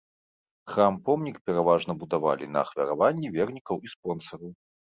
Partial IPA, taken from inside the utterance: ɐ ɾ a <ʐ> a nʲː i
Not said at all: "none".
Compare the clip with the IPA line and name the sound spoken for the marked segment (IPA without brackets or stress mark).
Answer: v